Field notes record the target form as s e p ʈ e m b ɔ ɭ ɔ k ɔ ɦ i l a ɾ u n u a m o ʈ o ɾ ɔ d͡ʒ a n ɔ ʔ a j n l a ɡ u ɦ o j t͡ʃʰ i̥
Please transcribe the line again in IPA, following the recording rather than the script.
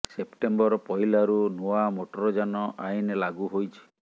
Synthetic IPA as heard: s e p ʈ e m b ɔ ɾ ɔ p ɔ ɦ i l a ɾ u n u a m o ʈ ɔ ɾ ɔ d͡ʒ a n ɔ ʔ a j n l a ɡ u ɦ o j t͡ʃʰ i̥